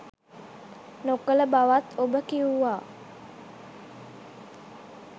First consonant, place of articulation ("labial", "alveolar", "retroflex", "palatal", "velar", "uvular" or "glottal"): alveolar